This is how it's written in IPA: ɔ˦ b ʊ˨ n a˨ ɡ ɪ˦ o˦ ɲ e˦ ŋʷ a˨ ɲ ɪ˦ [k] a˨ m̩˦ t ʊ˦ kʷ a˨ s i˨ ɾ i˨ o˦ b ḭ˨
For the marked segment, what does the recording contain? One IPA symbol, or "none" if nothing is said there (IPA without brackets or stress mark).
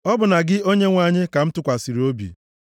k